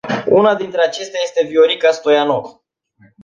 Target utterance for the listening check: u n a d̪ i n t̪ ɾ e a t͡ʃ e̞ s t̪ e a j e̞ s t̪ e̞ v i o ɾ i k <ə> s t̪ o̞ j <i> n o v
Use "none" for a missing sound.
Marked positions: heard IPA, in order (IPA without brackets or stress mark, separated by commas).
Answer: a, a